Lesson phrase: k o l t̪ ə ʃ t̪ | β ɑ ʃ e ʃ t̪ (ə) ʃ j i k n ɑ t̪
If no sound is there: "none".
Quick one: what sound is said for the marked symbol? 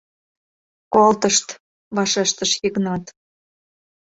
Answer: ə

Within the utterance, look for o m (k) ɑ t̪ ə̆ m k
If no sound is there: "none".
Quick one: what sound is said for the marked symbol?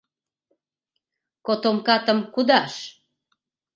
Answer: k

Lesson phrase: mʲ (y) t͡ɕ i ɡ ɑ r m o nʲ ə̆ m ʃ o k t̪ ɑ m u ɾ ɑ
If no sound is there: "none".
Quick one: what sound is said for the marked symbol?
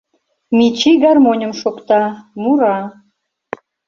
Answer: i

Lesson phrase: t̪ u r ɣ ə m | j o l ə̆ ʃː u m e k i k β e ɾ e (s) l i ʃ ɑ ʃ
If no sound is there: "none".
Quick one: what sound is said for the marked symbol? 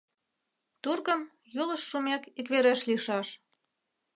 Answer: ʃ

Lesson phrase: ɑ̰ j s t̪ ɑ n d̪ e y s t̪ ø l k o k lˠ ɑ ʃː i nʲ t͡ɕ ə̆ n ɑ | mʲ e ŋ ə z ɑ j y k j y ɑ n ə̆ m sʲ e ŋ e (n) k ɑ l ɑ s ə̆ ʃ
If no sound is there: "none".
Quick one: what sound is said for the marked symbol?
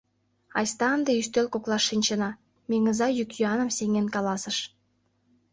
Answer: n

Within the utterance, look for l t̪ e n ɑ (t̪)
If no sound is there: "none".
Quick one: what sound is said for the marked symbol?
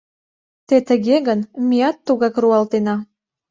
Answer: none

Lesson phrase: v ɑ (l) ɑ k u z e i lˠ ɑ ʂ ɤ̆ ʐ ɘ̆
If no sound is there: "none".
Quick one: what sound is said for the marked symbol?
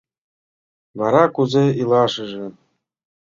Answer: ɾ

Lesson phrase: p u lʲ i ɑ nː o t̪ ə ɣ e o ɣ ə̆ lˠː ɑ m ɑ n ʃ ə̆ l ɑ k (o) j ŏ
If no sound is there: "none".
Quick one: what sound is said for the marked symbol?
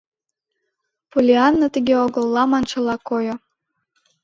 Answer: o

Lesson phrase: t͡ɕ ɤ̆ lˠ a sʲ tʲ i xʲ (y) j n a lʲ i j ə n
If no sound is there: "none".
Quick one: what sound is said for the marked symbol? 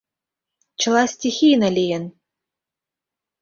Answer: i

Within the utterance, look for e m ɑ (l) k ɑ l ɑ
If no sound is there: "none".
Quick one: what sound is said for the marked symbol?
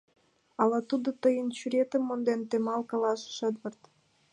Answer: l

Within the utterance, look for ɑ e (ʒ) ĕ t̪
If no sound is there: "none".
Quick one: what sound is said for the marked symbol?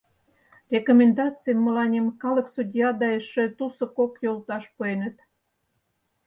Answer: ʃ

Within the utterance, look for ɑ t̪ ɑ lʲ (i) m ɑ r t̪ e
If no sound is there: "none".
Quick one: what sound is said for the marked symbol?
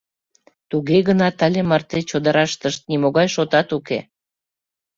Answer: e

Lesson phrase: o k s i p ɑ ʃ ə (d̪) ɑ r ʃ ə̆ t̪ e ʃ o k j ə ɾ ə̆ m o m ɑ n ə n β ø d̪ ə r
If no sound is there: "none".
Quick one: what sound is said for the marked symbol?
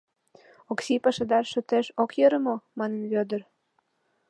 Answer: d̪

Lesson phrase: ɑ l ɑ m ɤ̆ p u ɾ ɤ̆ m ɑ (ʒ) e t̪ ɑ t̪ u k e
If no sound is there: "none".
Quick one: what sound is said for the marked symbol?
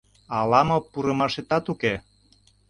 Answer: ʃ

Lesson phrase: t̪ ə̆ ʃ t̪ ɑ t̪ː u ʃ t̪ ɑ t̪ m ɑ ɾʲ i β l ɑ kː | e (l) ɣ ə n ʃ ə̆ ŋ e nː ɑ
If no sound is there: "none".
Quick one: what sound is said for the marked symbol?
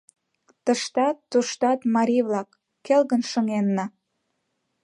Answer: l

